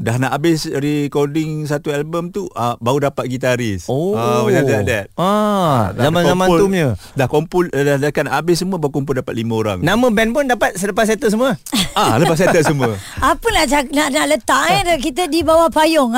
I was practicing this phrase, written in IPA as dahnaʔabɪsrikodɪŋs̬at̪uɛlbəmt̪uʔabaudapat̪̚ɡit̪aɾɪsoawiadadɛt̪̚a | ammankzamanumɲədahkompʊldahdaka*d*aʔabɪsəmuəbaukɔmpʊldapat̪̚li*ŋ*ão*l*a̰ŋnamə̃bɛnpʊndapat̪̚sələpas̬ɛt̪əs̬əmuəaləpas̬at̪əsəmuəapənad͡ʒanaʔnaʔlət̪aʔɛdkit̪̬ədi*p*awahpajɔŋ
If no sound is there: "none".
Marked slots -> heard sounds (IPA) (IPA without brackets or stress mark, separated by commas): n, m, ɾ, b